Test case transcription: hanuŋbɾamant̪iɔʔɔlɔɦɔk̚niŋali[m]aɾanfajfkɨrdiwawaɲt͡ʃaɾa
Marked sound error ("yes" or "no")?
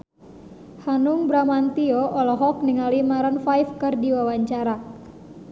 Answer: no